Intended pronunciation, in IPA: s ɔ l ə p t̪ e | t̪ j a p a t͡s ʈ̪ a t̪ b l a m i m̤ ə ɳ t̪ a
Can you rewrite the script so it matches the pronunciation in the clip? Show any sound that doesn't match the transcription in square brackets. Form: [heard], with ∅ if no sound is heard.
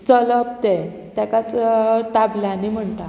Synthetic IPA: [t͡s] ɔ l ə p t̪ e | t̪ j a [k] a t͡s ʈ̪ a [∅] b l a [n] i m̤ ə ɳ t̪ a